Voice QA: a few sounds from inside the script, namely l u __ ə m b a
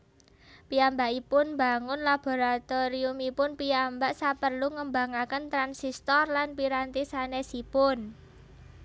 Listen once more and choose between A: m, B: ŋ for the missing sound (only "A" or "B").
B